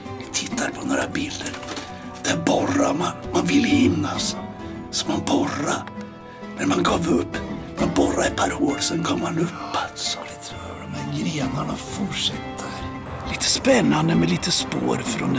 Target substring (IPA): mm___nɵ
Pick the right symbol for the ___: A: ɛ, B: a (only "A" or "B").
B